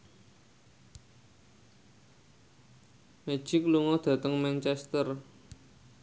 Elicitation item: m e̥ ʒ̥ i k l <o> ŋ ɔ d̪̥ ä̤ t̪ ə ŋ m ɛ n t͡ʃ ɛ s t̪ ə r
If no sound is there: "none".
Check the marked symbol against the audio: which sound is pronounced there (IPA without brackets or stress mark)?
u